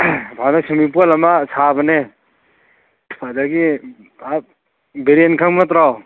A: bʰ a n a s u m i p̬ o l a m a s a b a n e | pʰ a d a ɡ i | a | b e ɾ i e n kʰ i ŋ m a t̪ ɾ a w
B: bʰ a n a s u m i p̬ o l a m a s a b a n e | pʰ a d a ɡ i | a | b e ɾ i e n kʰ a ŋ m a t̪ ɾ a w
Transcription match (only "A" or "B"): B